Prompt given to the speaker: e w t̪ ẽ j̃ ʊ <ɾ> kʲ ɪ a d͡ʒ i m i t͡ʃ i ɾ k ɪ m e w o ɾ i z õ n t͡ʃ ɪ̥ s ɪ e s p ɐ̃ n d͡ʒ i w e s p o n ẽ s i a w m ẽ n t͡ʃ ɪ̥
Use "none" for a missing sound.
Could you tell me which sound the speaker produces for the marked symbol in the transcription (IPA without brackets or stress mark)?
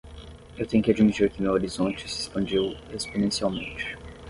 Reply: none